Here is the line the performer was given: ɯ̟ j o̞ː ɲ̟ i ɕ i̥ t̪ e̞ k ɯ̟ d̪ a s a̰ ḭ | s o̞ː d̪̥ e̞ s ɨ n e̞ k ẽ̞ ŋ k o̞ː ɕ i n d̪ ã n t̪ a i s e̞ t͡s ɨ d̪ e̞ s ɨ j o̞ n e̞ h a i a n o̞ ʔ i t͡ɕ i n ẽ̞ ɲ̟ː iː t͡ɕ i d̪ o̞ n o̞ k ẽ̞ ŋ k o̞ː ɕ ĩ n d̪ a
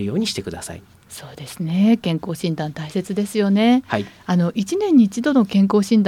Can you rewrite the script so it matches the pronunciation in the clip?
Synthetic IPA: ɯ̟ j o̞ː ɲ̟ i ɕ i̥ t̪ e̞ k ɯ̟ d̪ a s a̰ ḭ | s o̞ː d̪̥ e̞ s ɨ n e̞ k ẽ̞ ŋ k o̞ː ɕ ĩ n d̪ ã n t̪ a i s e̞ t͡s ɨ d̪ e̞ s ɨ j o̞ n e̞ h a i a n o̞ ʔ i t͡ɕ i n ẽ̞ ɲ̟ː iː t͡ɕ i d̪ o̞ n o̞ k ẽ̞ ŋ k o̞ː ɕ ĩ n d̪ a